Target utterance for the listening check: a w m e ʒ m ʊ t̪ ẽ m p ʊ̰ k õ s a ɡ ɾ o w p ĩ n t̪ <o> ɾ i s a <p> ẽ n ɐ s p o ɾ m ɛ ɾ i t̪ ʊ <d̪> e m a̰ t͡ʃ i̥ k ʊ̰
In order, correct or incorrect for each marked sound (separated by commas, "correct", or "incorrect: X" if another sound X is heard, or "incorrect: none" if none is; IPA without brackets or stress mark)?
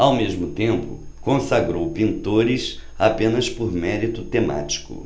correct, correct, incorrect: t̪